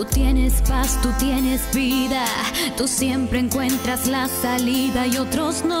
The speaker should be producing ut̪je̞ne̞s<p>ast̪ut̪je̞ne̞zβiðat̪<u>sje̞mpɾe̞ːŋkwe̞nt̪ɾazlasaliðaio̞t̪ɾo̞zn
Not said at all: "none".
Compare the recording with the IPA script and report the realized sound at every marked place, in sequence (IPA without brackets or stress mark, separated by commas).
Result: p, u